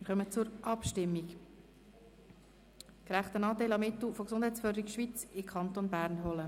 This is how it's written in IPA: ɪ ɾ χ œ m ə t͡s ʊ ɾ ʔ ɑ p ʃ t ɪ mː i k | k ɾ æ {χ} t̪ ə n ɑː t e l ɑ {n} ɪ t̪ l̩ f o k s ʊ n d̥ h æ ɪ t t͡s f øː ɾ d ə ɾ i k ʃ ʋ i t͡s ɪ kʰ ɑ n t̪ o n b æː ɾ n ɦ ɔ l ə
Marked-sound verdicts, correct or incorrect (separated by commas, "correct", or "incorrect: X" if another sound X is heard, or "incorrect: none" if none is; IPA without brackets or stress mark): correct, incorrect: m